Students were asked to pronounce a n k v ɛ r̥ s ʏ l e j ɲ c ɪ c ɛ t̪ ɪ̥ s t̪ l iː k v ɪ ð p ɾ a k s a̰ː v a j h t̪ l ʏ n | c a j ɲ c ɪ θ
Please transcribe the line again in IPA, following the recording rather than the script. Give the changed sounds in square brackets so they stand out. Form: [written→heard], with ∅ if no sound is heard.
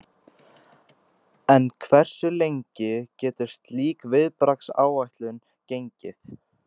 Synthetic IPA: [a→ɛ] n [k→kʰ] v ɛ r̥ s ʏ l e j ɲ c ɪ c [ɛ→ɛː] t̪ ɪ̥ s t̪ l iː k v ɪ ð p ɾ a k s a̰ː [v→w] a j h t̪ l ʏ n | c [a→e] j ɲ c ɪ θ

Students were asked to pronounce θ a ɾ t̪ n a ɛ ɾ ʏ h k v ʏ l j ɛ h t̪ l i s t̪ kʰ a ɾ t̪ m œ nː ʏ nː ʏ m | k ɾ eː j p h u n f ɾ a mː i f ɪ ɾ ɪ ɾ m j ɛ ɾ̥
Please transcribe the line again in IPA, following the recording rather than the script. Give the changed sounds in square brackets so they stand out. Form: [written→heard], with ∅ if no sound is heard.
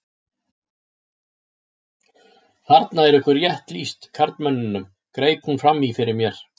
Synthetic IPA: θ a ɾ t̪ n a ɛ ɾ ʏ h k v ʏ [l→ɾ] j ɛ h t̪ l i s t̪ kʰ a ɾ t̪ m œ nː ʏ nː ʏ m | k ɾ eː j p h u n f ɾ a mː i f ɪ ɾ ɪ ɾ m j ɛ ɾ̥

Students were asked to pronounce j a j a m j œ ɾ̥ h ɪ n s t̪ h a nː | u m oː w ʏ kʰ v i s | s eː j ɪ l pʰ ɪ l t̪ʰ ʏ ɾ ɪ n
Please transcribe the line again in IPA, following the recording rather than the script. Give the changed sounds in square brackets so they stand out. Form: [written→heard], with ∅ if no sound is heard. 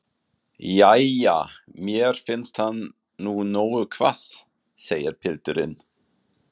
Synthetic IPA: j a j a m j [œ→ɛ] ɾ̥ [h→f] ɪ n s t̪ h a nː | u [m→n] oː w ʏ kʰ v [i→a] s | s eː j ɪ [l→ɾ] pʰ ɪ l [t̪ʰ→t̪] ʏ ɾ ɪ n

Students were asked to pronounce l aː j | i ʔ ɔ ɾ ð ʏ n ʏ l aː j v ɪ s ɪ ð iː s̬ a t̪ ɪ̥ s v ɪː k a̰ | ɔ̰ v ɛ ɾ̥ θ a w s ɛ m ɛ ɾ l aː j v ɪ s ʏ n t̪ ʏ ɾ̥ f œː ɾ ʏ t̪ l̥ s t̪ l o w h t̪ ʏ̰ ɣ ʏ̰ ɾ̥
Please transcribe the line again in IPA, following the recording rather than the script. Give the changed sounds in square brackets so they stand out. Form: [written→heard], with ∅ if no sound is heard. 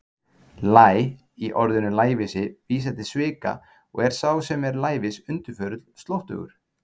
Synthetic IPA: l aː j | i ʔ ɔ ɾ ð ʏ n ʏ l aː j v ɪ s ɪ [ð→v] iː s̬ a t̪ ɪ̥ s v ɪː k a̰ | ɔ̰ [v→ɣ] ɛ ɾ̥ [θ→s] a w s ɛ m ɛ ɾ l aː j v ɪ s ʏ n t̪ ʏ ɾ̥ f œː ɾ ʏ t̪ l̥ s t̪ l o w h t̪ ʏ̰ ɣ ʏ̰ ɾ̥

